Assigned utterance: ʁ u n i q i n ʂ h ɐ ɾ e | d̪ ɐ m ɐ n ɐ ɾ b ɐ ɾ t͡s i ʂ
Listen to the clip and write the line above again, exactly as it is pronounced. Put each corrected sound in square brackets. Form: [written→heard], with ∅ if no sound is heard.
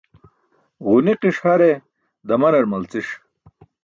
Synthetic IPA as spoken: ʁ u n i q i [n→∅] ʂ h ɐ ɾ e | d̪ ɐ m ɐ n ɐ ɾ [b→m] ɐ [ɾ→l] t͡s i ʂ